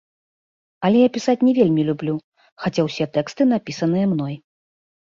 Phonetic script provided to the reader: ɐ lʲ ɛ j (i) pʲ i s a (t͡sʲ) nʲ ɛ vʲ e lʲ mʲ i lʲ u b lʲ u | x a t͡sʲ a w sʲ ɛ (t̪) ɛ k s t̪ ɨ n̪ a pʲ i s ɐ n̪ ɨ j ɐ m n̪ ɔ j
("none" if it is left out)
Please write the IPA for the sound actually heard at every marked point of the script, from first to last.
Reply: a, t͡sʲ, t̪

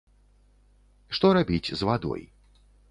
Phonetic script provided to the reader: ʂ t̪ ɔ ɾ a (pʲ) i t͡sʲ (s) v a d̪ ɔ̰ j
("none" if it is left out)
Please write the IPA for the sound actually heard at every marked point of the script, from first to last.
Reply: bʲ, z

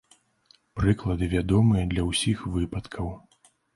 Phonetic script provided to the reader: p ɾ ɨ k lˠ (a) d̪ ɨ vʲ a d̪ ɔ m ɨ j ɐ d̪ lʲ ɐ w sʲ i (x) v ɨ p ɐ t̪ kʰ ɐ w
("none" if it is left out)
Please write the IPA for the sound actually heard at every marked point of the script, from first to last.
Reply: ɐ, x

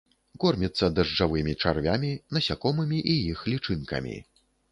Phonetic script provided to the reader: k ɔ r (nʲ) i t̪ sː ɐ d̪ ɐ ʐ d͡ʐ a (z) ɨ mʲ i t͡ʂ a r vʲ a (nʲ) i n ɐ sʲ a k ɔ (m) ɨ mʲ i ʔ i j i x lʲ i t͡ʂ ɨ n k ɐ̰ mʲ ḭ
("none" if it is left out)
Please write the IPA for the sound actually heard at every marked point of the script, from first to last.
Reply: mʲ, v, mʲ, m

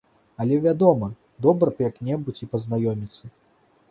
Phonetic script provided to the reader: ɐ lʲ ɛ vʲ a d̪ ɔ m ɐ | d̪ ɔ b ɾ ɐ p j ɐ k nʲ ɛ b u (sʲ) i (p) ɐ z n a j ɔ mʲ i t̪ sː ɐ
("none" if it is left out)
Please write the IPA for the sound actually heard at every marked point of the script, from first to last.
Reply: t͡sʲ, p

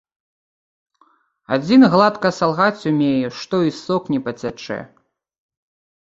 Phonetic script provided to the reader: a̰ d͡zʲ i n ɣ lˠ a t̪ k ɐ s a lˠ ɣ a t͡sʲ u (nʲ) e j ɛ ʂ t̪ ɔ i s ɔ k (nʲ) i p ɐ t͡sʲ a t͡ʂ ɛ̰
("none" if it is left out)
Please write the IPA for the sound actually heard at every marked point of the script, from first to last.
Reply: mʲ, nʲ

